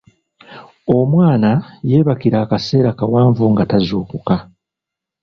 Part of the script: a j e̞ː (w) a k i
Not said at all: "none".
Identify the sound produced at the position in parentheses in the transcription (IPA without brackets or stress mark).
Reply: β